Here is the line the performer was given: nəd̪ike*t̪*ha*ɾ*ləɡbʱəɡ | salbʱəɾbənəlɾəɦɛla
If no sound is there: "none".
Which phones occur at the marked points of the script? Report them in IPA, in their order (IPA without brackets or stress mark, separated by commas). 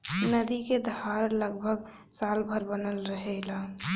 d̪, ɾ